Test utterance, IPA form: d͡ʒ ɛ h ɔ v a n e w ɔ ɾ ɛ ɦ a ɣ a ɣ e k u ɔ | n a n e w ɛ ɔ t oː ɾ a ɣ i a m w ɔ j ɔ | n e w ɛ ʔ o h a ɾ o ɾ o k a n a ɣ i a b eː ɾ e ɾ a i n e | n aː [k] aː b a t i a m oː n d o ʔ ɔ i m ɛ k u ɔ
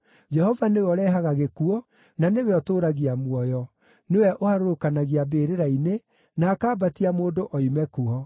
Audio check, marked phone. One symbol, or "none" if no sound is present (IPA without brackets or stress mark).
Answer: k